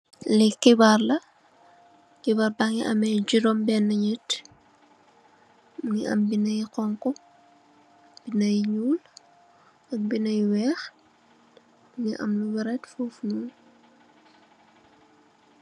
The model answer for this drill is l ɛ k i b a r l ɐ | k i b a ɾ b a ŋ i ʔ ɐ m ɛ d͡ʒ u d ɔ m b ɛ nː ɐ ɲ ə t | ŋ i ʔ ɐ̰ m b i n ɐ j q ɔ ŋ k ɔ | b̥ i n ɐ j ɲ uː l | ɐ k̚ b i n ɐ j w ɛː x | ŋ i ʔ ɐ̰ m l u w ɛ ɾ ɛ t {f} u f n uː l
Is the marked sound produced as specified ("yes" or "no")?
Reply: yes